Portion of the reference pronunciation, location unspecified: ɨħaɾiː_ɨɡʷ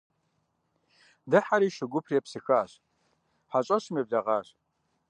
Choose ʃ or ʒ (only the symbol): ʃ